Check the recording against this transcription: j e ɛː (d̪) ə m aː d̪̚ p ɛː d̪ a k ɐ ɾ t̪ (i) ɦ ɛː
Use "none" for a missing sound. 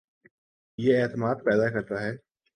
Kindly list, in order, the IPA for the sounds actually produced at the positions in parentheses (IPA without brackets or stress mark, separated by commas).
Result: t̪, a